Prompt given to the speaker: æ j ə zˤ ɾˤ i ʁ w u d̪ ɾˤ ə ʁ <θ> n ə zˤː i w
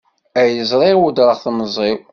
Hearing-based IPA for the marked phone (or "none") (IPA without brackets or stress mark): θ